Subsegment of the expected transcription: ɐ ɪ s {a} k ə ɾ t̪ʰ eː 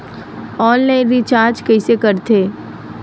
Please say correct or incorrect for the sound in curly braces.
incorrect